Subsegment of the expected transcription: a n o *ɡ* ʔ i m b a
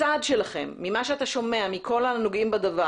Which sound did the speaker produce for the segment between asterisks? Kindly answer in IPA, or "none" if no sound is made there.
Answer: ɡ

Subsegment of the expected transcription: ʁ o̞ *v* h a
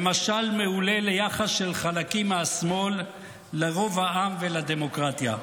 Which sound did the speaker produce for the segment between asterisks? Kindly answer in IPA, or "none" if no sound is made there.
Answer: v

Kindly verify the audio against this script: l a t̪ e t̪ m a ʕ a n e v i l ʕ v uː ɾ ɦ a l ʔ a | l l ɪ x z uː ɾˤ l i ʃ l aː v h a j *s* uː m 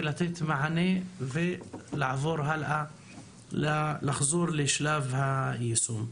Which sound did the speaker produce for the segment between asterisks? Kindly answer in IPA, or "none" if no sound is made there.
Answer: s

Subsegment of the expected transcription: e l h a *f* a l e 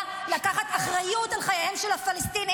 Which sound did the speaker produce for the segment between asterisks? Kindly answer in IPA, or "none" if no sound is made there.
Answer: f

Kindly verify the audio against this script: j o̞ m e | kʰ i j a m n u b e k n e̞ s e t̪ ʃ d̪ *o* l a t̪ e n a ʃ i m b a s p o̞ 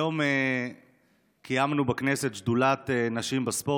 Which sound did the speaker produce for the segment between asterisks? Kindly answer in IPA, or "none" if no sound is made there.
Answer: u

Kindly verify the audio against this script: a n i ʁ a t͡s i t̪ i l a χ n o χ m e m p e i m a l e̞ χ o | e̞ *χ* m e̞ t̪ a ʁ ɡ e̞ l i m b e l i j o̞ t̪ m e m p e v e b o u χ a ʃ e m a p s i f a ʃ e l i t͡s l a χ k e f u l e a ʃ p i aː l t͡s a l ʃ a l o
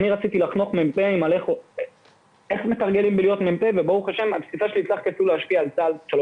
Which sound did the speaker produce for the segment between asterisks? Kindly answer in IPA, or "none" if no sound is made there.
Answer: χ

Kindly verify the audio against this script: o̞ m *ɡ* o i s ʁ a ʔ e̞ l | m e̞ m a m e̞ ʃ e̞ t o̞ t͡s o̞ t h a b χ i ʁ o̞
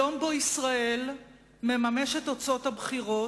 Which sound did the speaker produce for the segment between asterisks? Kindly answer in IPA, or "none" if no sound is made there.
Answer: b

